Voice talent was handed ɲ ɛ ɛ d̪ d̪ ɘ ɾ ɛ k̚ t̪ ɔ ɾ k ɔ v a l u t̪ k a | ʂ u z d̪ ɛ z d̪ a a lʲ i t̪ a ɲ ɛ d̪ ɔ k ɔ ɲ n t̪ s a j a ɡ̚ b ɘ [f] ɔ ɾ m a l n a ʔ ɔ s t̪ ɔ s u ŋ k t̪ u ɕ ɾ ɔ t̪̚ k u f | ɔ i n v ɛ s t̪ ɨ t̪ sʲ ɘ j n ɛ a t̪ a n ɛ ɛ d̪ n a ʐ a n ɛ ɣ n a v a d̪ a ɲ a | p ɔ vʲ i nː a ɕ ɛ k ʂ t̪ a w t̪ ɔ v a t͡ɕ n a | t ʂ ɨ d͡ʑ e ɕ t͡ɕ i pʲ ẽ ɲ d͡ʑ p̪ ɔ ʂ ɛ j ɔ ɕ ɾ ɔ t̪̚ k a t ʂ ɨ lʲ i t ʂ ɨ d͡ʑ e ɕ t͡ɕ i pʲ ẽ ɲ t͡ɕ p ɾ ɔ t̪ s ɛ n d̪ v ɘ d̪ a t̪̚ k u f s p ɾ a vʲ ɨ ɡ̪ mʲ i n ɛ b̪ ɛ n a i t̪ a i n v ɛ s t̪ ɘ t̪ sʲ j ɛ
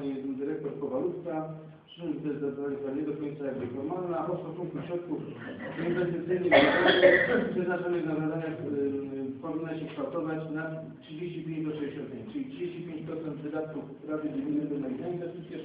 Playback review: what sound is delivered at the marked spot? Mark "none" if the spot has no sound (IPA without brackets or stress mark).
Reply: f